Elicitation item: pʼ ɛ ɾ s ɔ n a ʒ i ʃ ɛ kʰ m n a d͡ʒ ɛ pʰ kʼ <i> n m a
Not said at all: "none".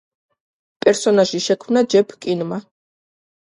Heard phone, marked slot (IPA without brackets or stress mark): i